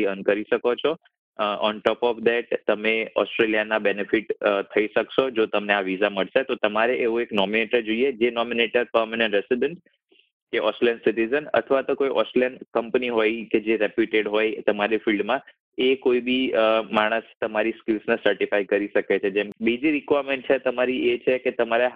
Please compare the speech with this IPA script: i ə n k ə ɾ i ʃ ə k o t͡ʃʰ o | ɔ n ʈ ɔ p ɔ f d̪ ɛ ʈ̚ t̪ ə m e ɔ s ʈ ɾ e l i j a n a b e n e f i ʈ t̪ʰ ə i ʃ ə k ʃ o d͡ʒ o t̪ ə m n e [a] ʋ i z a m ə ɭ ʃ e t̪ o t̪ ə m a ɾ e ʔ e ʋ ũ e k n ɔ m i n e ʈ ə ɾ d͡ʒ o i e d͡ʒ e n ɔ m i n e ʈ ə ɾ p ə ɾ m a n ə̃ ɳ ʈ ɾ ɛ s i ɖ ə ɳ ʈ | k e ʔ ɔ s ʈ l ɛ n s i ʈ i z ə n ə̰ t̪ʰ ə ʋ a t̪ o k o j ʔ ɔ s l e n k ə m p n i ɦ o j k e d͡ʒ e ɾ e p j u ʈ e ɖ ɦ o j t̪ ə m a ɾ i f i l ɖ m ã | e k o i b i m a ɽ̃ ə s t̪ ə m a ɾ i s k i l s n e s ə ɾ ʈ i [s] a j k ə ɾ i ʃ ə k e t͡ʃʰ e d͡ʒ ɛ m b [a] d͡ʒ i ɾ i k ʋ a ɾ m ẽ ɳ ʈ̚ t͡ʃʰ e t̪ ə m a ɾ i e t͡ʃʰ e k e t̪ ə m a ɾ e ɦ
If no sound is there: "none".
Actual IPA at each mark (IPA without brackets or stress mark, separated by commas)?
a, f, i